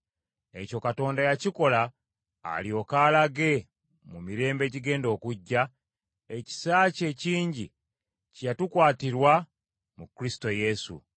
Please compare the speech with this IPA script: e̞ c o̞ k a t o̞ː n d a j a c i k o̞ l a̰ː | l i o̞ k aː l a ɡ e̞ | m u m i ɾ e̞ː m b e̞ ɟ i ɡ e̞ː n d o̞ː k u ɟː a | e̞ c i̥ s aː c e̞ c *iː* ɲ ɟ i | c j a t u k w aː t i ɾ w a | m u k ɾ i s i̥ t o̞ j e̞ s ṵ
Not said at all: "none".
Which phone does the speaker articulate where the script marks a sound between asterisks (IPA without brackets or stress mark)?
iː